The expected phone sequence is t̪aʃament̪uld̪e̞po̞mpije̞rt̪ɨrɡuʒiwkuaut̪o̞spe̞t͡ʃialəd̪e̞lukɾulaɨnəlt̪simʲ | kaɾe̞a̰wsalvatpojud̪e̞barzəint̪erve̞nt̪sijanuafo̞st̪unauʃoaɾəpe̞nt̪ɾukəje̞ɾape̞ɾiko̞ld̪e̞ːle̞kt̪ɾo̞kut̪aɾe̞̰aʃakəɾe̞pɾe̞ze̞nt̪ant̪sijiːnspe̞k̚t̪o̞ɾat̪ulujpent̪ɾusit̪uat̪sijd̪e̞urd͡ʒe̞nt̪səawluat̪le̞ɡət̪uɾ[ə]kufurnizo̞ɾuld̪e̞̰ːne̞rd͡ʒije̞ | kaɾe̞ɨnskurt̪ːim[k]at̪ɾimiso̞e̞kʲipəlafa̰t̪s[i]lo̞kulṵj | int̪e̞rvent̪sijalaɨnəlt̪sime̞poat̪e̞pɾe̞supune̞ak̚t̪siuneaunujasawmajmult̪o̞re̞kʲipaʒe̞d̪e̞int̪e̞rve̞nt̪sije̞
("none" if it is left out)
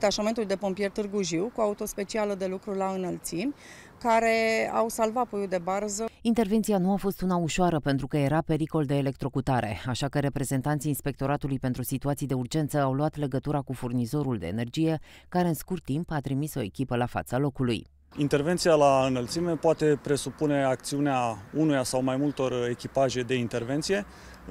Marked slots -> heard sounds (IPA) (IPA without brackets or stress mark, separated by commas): a, p, a